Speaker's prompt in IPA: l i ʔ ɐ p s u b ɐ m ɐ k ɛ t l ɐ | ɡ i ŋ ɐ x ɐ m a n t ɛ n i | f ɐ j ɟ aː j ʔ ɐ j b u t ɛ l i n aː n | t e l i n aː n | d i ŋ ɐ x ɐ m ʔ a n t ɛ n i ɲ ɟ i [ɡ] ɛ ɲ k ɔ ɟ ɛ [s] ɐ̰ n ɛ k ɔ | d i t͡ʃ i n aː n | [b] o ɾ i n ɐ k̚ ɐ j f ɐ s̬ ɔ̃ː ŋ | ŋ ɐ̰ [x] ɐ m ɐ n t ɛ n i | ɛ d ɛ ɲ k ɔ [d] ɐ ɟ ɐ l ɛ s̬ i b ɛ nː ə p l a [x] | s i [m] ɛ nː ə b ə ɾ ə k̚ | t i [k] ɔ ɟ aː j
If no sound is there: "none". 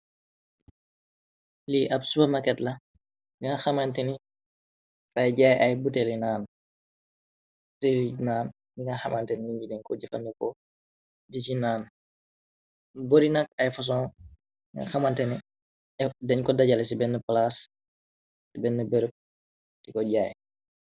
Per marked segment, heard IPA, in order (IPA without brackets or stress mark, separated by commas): d, f, b, x, d, s, b, k